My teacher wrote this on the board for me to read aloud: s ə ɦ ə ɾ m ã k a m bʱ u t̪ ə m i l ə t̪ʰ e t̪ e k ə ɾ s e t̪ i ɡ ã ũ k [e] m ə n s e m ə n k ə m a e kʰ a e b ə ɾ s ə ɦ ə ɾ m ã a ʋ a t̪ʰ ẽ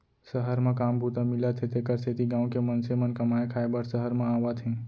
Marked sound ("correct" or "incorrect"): correct